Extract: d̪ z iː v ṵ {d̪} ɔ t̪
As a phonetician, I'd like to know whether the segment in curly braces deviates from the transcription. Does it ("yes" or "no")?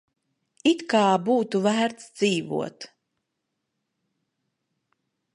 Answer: yes